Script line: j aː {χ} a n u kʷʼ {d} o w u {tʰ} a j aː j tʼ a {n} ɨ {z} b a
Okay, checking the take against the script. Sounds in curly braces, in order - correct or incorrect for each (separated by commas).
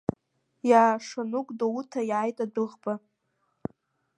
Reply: incorrect, correct, correct, incorrect, incorrect